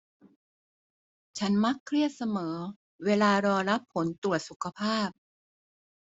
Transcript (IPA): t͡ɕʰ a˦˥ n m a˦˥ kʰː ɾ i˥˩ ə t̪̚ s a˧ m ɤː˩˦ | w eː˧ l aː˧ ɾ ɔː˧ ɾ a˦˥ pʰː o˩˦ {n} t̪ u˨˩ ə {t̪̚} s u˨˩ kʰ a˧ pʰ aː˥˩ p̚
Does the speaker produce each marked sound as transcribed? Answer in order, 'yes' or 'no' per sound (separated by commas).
yes, yes